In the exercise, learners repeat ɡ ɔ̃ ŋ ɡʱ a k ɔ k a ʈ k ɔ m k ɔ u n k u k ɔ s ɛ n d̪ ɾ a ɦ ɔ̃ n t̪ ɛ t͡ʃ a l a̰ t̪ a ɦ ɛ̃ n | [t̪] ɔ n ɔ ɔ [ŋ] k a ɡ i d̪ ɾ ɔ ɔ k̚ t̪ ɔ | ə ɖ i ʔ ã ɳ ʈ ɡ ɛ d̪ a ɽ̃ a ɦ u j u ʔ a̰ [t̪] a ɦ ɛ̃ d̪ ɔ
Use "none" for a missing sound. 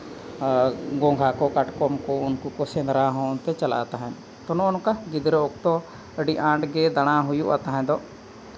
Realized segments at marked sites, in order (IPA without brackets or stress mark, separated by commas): t̪, n, t̪